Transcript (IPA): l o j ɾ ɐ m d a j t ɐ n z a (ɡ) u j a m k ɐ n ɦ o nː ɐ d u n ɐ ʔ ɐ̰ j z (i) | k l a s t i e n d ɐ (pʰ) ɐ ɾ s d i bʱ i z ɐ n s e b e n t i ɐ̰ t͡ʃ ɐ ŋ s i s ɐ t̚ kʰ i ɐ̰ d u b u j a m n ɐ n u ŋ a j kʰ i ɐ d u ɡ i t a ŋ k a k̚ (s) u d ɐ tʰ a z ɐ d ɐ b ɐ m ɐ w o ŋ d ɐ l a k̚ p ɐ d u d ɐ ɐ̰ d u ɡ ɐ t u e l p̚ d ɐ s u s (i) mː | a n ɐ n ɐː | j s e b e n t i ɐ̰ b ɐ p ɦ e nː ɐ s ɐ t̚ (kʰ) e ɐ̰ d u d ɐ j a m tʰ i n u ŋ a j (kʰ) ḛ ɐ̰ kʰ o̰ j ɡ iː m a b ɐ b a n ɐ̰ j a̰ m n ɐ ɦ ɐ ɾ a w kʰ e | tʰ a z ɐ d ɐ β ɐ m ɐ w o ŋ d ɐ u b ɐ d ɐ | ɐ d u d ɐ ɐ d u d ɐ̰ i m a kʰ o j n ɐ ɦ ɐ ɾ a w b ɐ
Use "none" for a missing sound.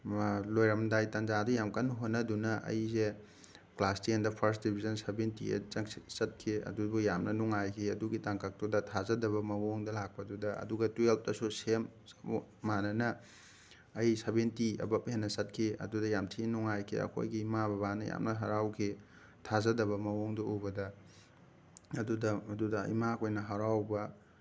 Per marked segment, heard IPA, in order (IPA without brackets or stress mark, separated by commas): d, e, pʰ, t, e, kʰ, kʰ